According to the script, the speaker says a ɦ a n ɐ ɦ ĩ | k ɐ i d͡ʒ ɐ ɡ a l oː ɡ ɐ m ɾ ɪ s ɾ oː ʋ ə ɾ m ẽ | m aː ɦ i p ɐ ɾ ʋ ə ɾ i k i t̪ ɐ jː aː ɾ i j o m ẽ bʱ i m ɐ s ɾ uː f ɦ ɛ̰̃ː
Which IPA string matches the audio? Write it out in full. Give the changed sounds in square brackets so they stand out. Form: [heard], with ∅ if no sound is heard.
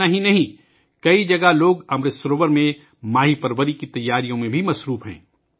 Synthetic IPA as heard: a ɦ [i] n ɐ ɦ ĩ | k ɐ i d͡ʒ ɐ ɡ a l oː ɡ ɐ m ɾ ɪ s ɾ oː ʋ ə ɾ m ẽ | m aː ɦ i p ɐ ɾ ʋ ə ɾ i k i t̪ ɐ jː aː ɾ i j [õ] m ẽ bʱ i m ɐ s ɾ uː f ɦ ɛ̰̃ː